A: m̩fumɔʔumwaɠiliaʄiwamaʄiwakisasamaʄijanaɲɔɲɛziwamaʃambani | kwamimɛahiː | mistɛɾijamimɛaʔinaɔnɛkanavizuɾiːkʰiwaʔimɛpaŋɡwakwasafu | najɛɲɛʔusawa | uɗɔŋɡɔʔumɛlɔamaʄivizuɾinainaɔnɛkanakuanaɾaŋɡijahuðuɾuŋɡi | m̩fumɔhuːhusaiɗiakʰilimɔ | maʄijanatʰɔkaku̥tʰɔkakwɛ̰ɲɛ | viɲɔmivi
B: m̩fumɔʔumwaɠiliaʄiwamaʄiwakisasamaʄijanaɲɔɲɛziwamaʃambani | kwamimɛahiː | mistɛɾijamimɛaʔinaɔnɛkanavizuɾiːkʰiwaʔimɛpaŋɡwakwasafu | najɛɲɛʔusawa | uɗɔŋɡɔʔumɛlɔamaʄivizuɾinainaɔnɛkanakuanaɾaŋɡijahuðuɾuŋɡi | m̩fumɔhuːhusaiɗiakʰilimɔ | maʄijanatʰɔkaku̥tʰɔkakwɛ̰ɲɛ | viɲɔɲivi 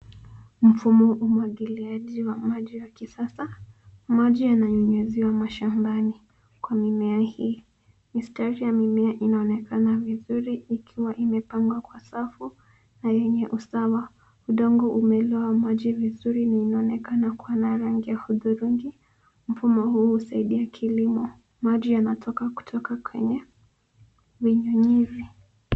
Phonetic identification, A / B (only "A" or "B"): B